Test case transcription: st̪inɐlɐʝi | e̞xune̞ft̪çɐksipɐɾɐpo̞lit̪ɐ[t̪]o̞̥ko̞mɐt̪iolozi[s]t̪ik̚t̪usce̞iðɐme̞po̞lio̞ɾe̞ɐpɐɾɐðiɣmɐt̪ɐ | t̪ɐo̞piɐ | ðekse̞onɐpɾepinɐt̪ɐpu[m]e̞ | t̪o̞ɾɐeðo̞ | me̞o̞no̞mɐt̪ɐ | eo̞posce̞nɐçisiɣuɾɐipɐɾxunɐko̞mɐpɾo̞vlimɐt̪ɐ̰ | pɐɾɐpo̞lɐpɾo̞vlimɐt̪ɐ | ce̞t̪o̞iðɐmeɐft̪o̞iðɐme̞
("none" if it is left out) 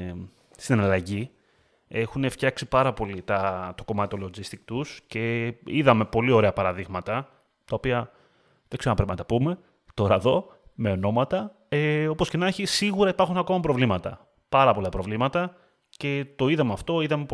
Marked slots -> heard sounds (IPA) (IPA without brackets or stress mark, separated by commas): t̪, s, m